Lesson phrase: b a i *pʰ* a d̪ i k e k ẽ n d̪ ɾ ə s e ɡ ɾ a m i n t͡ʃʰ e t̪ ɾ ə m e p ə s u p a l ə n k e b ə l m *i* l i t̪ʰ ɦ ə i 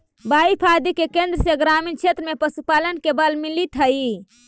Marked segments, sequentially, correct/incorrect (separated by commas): correct, correct